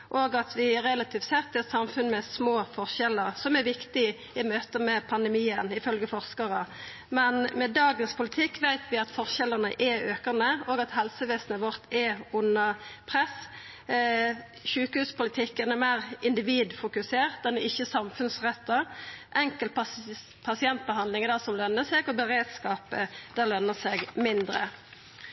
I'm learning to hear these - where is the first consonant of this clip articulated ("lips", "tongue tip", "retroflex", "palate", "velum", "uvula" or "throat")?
throat